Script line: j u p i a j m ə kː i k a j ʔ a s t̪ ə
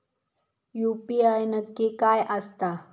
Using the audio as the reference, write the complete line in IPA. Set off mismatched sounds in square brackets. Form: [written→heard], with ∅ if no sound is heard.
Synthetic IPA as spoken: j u p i a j [m→n] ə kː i k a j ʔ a s t̪ [ə→a]